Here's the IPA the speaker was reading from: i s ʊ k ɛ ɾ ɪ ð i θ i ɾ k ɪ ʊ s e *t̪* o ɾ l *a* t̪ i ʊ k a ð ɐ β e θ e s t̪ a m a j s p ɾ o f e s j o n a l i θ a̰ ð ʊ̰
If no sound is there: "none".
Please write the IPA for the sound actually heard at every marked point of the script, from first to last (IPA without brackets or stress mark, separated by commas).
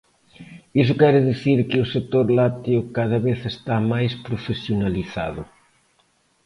t̪, a